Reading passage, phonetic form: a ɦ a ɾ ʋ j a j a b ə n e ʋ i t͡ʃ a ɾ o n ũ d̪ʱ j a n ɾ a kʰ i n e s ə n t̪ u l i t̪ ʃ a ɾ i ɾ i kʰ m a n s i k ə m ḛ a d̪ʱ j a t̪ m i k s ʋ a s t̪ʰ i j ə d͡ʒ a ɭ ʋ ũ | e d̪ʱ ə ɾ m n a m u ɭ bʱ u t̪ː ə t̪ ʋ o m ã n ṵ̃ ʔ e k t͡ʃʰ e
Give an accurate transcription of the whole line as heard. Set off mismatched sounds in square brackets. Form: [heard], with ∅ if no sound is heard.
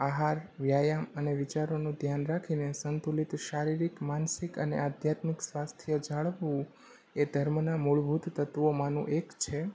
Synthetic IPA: a ɦ a ɾ ʋ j a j a [m] ə n e ʋ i t͡ʃ a ɾ o n ũ d̪ʱ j a n ɾ a kʰ i n e s ə n t̪ u l i t̪ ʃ a ɾ i ɾ i [k] m a n s i k ə [n] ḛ a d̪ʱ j a t̪ m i k s ʋ a s t̪ʰ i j ə d͡ʒ a ɭ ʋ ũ | e d̪ʱ ə ɾ m n a m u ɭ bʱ u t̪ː ə t̪ ʋ o m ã n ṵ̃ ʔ e k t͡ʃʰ e